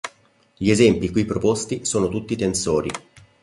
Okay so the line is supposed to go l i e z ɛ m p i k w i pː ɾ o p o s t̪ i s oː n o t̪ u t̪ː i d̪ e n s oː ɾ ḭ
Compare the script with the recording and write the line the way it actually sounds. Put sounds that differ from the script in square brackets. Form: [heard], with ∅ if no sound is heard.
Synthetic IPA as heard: [ʎ] i e z ɛ m p i k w i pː ɾ o p o s t̪ i s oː n o t̪ u t̪ː i [t̪] e n s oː ɾ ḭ